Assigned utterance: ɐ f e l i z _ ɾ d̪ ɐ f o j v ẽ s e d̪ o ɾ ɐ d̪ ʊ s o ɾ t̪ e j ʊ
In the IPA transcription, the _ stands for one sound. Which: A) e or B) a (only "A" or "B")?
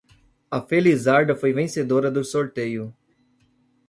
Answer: B